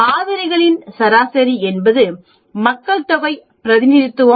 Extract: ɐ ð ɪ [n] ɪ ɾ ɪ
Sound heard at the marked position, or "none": n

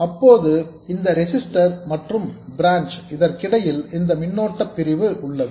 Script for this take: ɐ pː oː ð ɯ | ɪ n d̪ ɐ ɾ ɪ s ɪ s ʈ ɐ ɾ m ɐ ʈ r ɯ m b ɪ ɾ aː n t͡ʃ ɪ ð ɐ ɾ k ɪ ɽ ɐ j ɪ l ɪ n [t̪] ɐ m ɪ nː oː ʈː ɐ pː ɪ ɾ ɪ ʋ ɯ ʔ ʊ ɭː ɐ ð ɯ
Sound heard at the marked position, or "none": d̪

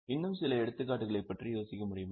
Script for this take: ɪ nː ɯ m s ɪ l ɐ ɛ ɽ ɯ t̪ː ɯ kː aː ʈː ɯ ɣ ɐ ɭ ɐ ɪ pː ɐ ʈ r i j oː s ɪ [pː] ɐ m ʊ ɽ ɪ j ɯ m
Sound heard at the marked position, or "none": kː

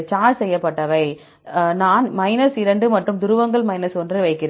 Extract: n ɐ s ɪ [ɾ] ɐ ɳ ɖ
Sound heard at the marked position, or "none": ɾ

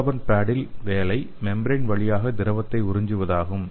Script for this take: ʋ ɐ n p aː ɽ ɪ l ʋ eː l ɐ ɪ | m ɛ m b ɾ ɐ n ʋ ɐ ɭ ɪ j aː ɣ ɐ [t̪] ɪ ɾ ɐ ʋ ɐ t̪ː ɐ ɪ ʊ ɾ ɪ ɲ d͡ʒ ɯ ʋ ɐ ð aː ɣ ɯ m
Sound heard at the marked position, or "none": d̪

